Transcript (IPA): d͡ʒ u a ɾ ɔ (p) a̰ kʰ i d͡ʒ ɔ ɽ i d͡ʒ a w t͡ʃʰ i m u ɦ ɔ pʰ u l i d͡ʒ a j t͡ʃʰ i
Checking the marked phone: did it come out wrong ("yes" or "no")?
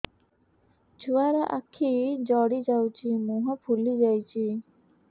yes